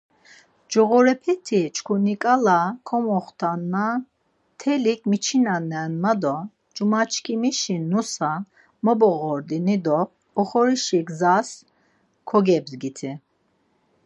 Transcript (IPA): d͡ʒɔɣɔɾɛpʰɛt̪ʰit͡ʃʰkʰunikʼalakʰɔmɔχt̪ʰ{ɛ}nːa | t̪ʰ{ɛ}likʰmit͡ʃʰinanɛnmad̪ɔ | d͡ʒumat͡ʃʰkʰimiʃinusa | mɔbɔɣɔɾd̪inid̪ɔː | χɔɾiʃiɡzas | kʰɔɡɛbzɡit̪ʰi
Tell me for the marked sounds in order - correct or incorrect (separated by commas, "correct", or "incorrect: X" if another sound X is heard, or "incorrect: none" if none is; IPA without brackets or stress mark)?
incorrect: a, correct